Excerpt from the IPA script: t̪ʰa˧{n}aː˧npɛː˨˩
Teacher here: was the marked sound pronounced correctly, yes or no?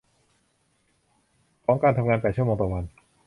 no